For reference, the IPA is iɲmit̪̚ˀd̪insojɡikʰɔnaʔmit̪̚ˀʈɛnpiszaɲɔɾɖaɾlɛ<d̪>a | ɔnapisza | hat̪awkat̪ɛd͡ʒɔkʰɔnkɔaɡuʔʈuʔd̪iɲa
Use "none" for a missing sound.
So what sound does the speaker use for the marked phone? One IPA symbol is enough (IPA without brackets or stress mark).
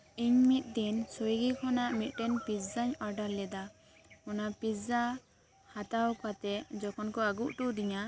d̪